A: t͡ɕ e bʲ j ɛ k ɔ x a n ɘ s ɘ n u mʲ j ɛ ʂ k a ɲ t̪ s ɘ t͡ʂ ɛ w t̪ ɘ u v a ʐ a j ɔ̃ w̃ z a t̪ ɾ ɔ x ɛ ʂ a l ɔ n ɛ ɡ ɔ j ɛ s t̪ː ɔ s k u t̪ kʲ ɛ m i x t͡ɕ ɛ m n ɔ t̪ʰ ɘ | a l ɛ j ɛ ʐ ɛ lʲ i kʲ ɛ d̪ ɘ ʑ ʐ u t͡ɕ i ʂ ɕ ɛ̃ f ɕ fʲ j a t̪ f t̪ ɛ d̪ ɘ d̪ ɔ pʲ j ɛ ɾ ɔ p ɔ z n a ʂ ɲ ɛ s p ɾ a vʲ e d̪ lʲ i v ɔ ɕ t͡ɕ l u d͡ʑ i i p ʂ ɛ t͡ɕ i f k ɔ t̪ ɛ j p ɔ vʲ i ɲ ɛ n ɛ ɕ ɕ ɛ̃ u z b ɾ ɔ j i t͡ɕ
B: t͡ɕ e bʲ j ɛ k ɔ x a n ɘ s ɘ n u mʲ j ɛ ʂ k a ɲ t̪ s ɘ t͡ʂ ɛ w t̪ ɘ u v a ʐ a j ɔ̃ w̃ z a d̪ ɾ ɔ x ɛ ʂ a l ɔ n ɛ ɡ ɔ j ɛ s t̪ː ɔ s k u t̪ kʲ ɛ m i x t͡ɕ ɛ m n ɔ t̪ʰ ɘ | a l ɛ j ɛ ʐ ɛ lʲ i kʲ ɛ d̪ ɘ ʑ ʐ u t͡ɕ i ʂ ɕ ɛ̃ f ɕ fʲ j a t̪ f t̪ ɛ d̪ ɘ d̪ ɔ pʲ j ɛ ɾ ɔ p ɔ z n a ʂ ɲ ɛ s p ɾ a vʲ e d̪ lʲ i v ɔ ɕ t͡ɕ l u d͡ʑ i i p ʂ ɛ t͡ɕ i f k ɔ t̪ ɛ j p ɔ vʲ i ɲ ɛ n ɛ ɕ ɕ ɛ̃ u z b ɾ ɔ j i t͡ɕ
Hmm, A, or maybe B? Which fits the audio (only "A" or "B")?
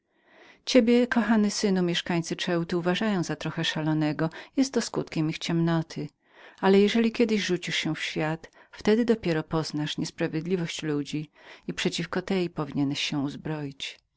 A